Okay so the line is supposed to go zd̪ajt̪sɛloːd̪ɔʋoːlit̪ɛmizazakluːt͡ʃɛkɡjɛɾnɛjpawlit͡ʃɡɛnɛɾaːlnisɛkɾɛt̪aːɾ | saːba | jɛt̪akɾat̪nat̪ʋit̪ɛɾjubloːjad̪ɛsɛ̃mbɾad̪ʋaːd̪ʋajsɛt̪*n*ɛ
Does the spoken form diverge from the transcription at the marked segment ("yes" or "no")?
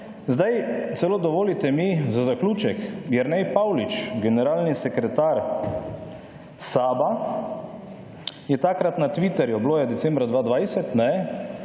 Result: no